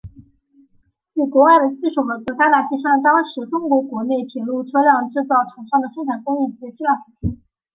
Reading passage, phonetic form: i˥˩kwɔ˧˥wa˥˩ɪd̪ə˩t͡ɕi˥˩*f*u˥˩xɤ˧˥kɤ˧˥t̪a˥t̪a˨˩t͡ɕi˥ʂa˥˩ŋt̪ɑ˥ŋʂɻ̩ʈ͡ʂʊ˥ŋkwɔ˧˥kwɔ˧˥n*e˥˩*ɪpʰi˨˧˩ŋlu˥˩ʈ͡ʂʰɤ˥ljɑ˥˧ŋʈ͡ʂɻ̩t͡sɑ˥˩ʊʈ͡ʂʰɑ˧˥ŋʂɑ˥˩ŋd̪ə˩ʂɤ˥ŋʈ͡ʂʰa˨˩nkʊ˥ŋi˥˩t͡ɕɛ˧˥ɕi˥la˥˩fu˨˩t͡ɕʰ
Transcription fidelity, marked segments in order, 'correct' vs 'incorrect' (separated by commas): incorrect, correct